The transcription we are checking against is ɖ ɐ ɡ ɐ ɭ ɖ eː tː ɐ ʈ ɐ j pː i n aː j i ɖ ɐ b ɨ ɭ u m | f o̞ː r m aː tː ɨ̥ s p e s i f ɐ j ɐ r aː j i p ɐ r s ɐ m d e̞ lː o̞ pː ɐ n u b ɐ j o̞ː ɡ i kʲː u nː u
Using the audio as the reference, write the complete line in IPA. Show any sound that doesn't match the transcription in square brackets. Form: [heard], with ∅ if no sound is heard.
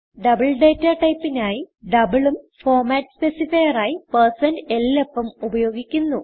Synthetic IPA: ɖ ɐ [b] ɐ ɭ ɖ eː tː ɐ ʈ ɐ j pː i n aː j i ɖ ɐ b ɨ ɭ u m | f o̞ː r m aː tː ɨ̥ s p e s i f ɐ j ɐ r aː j i p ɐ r s ɐ [n] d e̞ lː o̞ pː ɐ [m] u b ɐ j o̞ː ɡ i kʲː u nː u